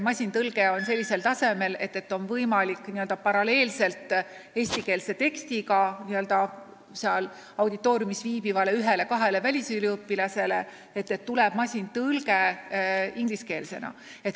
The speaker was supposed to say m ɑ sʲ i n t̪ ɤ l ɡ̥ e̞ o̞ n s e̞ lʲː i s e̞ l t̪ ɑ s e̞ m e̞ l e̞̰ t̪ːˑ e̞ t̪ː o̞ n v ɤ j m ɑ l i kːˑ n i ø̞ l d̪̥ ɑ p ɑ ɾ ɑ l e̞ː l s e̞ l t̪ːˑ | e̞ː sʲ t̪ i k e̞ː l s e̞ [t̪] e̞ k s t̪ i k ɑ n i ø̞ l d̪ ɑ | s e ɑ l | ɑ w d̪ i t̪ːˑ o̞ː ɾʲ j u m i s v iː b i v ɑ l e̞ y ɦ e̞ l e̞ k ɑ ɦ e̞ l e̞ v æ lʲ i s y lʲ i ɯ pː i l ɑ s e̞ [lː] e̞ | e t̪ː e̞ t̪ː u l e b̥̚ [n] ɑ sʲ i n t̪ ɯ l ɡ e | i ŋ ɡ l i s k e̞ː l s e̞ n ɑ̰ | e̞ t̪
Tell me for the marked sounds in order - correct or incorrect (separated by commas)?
correct, incorrect, incorrect